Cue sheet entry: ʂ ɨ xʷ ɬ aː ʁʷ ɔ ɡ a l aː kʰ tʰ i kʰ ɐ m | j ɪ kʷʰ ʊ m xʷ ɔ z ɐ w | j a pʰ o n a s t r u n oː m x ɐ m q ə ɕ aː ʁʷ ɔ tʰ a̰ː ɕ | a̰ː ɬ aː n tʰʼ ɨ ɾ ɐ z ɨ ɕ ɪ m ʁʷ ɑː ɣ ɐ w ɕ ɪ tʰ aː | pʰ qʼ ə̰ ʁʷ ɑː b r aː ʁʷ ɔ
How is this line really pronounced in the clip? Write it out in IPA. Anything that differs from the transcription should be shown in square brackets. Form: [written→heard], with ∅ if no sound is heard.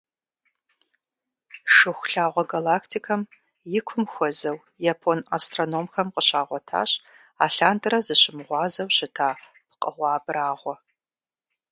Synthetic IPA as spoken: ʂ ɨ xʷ ɬ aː ʁʷ ɔ ɡ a l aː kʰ tʰ i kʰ ɐ m | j ɪ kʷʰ ʊ m xʷ ɔ z ɐ w | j a pʰ o n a s t r [u→o] n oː m x ɐ m q ə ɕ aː ʁʷ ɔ tʰ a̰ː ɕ | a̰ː ɬ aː n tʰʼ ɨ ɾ ɐ z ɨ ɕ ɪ m ʁʷ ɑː [ɣ→z] ɐ w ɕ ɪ tʰ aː | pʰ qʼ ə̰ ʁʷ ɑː b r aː ʁʷ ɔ